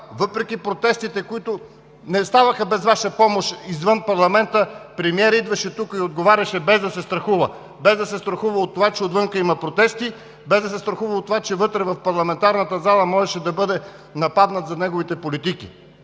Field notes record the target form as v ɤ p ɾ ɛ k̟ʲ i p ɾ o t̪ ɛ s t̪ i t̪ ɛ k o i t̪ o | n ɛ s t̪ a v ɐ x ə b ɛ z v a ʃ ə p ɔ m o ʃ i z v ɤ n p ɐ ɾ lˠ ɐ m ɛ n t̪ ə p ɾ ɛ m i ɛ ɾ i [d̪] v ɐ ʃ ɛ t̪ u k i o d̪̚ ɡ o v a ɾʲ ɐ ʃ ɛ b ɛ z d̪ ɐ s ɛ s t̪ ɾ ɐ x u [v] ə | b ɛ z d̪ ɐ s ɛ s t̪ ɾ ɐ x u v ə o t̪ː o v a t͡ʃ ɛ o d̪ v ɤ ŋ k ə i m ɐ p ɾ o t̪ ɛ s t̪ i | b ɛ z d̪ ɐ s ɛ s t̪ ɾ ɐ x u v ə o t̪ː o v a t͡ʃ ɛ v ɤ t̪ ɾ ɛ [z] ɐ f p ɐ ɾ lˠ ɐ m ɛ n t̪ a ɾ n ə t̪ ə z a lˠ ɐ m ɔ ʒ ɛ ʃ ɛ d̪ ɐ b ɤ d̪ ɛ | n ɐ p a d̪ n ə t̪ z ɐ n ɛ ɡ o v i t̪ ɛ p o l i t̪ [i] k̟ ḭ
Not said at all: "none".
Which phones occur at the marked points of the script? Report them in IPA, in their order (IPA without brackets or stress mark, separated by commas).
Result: d̪, v, v, i